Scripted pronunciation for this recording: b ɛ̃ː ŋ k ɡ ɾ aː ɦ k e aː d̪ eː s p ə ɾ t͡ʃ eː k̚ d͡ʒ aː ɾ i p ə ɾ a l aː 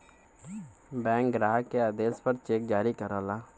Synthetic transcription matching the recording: b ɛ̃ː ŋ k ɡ ɾ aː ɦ k e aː d̪ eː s p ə ɾ t͡ʃ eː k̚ d͡ʒ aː ɾ i k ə ɾ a l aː